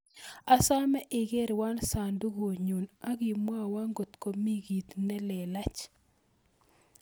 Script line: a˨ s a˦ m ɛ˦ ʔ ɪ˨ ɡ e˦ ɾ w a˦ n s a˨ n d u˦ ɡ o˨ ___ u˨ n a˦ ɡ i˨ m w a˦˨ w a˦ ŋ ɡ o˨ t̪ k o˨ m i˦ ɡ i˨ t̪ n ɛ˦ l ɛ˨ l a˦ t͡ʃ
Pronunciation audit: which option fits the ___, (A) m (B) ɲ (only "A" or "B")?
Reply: B